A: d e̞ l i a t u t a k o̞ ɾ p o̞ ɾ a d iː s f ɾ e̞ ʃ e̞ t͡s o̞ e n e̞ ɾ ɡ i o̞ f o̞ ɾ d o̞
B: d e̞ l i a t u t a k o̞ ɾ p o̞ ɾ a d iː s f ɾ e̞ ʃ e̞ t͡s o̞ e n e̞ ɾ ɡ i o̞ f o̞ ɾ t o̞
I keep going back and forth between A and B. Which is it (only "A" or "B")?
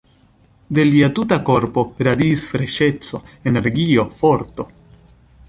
B